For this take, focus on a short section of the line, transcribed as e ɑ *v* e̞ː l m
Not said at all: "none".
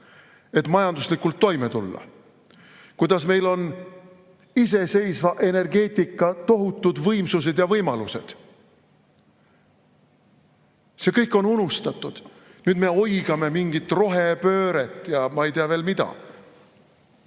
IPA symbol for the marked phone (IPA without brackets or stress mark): v